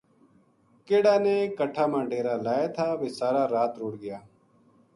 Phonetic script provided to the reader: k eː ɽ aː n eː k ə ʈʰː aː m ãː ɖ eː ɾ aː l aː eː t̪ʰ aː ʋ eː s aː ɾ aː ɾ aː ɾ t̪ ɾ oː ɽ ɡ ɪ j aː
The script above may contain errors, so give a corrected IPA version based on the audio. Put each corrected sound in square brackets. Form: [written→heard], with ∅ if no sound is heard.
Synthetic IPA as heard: k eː ɽ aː n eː k ə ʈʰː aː m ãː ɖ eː ɾ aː l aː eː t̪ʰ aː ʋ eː s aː ɾ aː ɾ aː [ɾ→∅] t̪ ɾ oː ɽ ɡ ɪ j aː